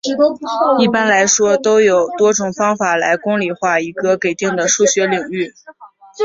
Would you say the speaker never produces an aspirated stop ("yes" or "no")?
yes